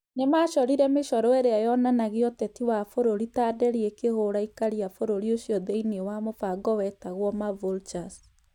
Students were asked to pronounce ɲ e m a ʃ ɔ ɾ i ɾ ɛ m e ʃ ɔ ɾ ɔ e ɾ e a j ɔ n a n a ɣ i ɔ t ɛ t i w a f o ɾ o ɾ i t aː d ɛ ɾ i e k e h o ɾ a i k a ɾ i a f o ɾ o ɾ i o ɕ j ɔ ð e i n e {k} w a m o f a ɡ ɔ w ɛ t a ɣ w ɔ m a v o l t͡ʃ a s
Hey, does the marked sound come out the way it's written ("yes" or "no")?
no